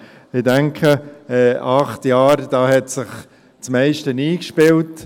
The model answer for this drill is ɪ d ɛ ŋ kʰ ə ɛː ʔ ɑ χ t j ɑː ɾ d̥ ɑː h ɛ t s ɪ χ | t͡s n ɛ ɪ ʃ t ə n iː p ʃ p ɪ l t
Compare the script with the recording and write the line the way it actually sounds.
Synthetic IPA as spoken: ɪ d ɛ ŋ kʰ ə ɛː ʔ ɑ χ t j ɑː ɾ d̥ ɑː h ɛ t s ɪ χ | t͡s m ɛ ɪ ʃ t ə n iː k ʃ p ɪ l t